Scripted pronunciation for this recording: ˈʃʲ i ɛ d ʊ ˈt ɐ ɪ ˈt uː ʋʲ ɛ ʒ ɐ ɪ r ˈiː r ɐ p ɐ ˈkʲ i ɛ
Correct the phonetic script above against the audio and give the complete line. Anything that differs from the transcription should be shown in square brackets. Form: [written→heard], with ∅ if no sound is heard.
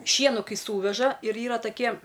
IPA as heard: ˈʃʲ i ɛ [d→n] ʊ [ˈt→ˈk] ɐ ɪ [ˈt→ˈs] uː ʋʲ ɛ ʒ ɐ ɪ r ˈiː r ɐ [p→t] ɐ ˈkʲ i ɛ